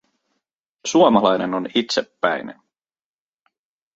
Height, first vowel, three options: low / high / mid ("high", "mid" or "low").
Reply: high